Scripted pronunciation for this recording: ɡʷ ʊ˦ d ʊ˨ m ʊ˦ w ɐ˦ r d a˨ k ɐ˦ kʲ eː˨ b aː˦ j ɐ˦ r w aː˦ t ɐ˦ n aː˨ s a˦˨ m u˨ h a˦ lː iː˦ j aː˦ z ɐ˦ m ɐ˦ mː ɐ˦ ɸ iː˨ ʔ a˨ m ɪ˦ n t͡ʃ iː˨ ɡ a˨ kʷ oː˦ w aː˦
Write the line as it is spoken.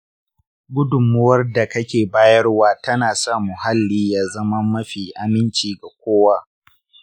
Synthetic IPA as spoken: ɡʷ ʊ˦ d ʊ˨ m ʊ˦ w ɐ˦ r d a˨ k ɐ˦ kʲ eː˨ b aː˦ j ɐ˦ r w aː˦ t ɐ˦ n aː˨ s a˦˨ m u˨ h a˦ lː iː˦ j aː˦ z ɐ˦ m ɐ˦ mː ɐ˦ ɸ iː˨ ʔ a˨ m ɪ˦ n t͡ʃ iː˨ ɡ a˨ kʷ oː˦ w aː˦